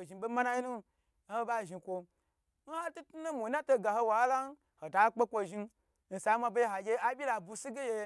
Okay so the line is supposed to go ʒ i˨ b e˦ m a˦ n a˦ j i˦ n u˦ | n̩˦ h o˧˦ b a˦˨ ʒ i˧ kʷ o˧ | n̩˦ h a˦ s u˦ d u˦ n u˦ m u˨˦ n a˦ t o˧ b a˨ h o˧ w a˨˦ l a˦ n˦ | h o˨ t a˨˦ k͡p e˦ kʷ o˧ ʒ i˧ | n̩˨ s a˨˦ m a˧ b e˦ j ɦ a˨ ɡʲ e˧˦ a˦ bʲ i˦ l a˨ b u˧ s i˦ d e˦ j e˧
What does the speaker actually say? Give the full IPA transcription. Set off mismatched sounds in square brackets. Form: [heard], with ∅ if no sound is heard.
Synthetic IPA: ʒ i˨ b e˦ m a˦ n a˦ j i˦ n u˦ | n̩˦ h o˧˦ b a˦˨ ʒ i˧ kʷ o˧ | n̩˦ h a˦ [t] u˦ [t] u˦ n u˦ m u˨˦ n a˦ t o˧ [ɡ] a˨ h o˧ w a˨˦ l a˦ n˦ | h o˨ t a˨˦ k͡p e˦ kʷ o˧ ʒ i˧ | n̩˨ s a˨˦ m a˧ b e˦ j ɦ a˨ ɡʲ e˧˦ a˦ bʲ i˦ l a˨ b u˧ s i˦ [ɡ] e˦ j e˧